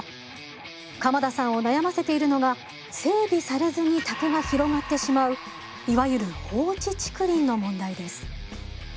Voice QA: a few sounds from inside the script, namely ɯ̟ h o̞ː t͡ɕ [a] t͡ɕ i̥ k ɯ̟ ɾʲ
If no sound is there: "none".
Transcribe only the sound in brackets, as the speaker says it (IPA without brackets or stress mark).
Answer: i